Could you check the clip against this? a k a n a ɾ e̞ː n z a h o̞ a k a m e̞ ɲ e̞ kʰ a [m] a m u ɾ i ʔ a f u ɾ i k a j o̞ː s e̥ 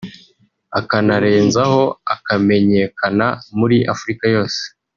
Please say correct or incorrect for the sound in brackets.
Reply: incorrect